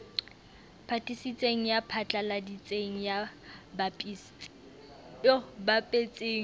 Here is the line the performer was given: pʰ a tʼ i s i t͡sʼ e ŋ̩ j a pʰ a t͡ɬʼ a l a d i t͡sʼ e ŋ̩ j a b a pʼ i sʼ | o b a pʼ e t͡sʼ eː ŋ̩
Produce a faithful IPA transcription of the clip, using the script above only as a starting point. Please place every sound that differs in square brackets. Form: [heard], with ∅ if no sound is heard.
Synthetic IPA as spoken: pʰ a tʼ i s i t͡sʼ e ŋ̩ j a pʰ a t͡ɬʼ a l a d i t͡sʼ e ŋ̩ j a b a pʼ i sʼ | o b a pʼ e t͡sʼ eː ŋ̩